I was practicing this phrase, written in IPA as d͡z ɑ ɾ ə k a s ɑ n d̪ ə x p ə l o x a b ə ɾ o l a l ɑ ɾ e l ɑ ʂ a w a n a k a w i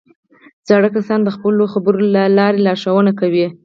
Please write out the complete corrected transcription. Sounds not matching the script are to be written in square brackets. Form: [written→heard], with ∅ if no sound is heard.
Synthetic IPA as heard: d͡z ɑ [ɾ→ɽ] ə k a s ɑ n d̪ ə x p ə l o x a b ə ɾ o l a l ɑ ɾ e l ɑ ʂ a w [a→ə] n a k a w i